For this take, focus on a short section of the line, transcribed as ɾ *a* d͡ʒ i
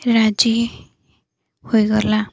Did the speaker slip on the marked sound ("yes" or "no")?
no